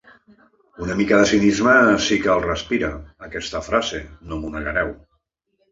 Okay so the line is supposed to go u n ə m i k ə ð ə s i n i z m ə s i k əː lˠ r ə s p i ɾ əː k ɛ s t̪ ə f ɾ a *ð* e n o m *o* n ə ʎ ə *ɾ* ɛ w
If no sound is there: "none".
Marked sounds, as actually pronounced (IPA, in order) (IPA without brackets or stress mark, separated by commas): z, u, ɾ